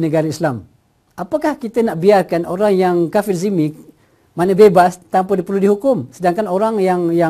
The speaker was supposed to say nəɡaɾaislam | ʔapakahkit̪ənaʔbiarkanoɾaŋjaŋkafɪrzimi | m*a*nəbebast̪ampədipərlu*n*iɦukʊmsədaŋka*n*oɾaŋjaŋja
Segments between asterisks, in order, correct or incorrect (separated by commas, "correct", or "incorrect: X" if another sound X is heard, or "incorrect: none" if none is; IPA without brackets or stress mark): correct, incorrect: d, correct